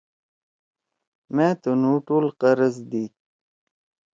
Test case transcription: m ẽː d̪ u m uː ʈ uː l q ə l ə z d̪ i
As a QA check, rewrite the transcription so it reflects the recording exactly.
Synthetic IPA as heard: m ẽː t̪ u n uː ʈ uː l q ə ɾ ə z d̪ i